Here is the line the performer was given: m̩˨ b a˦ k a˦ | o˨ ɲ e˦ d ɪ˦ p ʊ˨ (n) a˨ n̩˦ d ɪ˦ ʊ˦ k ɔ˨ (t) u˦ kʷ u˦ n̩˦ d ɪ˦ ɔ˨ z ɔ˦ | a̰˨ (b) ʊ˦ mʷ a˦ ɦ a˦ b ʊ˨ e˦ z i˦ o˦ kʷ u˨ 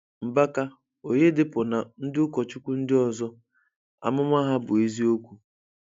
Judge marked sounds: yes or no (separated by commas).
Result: yes, no, no